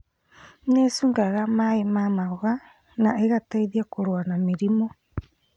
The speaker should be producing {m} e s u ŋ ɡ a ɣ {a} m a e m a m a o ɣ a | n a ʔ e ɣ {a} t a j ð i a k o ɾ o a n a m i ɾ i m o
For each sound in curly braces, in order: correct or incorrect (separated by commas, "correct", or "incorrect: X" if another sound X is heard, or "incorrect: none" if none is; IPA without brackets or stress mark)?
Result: incorrect: n, correct, correct